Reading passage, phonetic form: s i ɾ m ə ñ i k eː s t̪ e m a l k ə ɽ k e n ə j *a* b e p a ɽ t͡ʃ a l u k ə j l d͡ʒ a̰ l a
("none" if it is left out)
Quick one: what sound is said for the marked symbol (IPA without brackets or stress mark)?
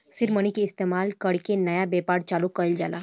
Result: a